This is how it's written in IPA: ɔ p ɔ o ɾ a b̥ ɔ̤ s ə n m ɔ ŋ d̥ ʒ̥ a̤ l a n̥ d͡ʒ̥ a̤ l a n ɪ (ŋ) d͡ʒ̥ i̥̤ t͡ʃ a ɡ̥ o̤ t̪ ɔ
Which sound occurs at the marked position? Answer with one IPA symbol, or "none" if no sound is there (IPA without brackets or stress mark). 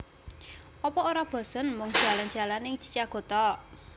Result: ŋ